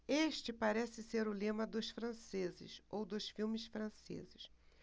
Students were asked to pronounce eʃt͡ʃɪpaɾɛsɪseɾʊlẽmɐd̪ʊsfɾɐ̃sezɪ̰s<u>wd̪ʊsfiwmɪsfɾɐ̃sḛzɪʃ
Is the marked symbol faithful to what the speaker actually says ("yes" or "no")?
no